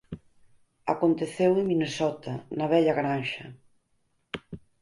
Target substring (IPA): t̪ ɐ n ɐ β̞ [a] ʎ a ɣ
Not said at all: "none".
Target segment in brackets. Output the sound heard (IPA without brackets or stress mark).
ɛ